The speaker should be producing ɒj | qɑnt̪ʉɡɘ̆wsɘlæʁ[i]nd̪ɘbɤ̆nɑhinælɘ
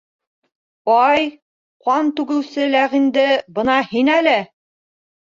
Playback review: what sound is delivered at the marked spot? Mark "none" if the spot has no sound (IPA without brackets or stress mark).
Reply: i